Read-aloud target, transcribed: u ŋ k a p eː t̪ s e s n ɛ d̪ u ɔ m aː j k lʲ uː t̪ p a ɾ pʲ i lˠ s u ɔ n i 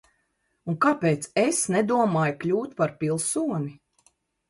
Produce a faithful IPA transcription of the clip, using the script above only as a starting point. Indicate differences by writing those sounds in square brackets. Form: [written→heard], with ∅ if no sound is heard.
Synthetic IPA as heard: u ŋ k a p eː t̪ s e s n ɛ d̪ u ɔ m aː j k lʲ uː t̪ p a ɾ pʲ i lˠ s u ɔ n i